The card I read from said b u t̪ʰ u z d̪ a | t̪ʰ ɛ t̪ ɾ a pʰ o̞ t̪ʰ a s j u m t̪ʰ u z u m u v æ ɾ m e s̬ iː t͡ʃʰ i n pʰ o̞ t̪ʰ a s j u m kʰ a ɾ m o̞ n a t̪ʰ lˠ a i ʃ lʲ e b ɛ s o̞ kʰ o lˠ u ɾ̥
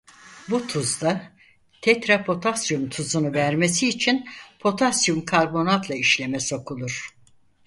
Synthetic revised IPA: b u t̪ʰ u z d̪ a | t̪ʰ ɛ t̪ ɾ a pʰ o̞ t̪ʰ a s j u m t̪ʰ u z u n u v æ ɾ m e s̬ iː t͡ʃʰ i n pʰ o̞ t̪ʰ a s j u m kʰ a ɾ b o̞ n a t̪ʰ lˠ a i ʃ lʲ e m ɛ s o̞ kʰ u lˠ u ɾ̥